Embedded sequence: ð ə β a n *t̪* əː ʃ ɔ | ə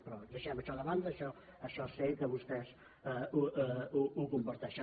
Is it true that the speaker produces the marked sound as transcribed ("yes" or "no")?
no